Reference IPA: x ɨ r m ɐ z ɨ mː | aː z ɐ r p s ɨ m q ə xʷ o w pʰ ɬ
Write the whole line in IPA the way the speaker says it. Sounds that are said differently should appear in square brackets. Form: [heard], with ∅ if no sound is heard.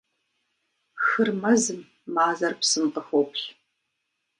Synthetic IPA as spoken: x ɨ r m ɐ z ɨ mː | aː z ɐ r p s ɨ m q ə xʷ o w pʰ ɬ